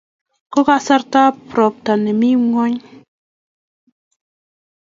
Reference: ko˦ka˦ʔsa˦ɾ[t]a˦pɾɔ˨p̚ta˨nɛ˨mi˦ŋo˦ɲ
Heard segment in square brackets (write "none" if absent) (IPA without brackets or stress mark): t